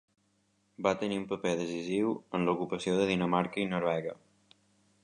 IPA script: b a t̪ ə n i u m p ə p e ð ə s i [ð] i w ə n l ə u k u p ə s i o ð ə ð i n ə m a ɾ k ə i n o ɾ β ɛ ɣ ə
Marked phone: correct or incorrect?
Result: incorrect